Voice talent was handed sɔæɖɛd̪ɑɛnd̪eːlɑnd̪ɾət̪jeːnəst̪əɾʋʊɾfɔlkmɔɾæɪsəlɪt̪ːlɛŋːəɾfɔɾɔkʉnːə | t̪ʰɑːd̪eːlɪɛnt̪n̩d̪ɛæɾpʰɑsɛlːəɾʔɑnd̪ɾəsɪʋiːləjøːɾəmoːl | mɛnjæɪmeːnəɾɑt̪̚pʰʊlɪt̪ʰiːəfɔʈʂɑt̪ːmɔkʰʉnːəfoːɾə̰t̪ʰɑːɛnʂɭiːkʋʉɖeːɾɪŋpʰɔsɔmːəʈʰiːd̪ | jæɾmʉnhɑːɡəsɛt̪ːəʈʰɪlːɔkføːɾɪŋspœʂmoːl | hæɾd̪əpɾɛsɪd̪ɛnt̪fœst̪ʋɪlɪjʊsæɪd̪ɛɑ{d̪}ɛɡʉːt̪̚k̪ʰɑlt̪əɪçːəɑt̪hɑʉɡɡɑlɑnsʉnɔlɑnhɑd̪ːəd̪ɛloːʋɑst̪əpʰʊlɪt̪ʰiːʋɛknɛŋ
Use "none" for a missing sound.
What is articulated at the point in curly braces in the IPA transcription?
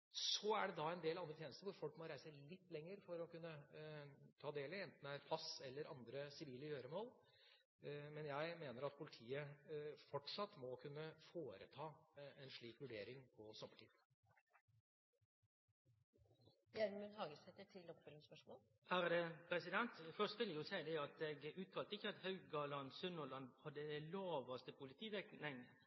t̪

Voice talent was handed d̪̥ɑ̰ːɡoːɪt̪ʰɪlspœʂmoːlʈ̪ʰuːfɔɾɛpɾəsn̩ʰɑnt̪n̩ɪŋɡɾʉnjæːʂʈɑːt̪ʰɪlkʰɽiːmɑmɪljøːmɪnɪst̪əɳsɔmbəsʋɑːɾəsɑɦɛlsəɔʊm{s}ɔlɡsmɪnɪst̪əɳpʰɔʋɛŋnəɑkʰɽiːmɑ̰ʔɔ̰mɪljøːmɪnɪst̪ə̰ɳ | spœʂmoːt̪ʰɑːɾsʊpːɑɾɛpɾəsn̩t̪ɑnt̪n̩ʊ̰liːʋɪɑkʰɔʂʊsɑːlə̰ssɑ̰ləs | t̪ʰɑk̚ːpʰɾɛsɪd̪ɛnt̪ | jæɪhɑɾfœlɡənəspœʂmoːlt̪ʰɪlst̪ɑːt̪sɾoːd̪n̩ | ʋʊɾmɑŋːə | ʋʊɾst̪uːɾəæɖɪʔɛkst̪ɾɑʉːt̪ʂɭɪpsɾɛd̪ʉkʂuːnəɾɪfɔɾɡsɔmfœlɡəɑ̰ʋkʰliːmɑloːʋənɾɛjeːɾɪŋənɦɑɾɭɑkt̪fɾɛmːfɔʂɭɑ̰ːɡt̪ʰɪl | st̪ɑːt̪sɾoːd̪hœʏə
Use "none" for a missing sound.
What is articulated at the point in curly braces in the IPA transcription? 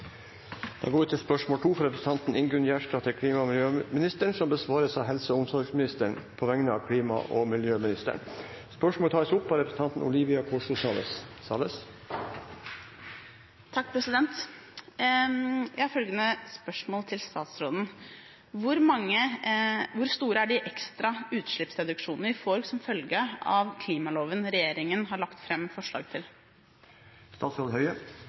s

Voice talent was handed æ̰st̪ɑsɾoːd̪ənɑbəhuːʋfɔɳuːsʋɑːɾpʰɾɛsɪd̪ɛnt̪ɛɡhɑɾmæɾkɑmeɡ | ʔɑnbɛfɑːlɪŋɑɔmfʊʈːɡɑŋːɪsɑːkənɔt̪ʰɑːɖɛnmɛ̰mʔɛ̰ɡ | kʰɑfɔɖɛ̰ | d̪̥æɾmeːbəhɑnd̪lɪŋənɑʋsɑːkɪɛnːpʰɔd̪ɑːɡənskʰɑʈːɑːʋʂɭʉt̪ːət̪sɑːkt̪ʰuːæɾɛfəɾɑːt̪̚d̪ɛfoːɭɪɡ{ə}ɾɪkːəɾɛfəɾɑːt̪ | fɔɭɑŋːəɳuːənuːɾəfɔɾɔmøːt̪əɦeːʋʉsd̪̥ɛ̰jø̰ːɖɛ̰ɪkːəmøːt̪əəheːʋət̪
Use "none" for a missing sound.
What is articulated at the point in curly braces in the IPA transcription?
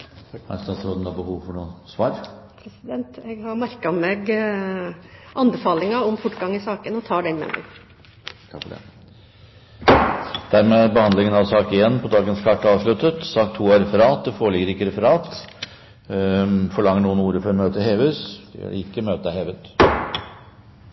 ə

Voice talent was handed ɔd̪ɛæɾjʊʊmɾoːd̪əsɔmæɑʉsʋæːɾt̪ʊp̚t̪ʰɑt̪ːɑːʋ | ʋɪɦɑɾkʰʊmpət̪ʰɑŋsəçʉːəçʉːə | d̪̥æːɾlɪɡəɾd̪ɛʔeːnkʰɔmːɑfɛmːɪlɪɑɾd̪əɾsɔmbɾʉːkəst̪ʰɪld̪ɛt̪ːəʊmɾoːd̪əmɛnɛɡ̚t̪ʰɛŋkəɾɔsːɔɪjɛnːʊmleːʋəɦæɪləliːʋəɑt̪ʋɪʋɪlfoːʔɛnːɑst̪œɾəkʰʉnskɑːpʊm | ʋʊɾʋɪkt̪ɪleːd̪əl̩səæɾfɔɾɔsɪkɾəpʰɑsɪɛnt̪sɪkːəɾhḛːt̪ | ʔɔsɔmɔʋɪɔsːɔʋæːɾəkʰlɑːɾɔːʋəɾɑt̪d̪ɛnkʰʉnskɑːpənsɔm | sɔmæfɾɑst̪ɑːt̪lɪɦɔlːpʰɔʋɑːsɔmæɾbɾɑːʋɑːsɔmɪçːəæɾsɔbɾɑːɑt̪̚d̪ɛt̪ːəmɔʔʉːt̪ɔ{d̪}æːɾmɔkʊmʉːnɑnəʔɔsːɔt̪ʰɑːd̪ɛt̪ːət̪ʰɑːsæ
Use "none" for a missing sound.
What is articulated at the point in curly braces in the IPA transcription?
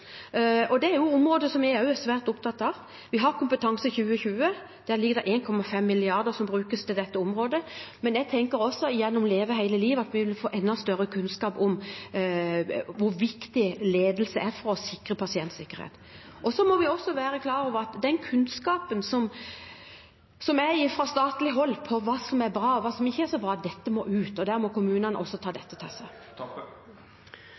d̪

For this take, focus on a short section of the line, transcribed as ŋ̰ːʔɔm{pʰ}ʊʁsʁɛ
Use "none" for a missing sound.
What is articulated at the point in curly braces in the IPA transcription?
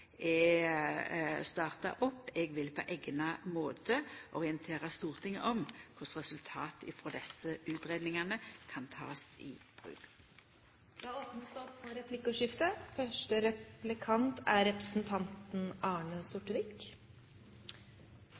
kʰ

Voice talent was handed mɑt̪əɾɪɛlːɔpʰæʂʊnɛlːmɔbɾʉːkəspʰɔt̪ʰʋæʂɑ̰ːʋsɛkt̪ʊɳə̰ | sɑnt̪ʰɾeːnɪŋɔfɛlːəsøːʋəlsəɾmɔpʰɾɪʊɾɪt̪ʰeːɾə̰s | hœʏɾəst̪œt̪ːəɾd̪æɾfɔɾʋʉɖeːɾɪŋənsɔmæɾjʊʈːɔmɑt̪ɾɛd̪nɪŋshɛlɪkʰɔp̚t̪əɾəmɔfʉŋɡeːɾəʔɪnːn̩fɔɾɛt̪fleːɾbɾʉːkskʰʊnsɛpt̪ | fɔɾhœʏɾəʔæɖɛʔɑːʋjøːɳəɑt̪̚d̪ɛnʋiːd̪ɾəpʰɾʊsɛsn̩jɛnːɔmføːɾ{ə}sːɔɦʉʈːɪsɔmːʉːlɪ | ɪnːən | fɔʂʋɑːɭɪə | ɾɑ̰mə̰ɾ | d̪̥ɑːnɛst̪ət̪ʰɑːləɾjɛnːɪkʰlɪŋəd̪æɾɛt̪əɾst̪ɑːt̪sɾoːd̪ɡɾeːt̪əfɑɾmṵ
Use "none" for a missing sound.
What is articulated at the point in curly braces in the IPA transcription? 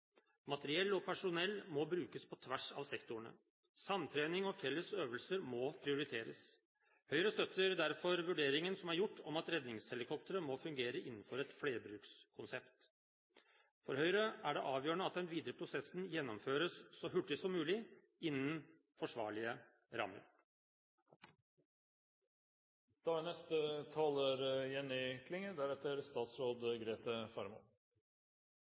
ə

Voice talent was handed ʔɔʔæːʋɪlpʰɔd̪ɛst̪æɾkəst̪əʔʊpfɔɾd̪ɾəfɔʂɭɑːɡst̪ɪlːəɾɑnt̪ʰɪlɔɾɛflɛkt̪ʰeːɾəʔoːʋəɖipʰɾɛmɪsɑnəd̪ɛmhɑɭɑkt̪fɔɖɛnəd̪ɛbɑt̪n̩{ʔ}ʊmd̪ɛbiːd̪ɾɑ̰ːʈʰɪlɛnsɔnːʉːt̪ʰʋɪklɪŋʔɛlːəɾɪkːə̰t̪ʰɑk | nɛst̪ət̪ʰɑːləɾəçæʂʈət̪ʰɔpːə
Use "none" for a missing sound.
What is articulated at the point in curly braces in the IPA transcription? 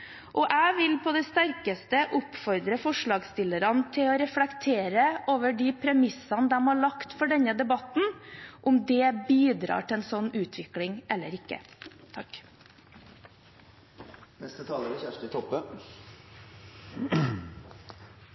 ʔ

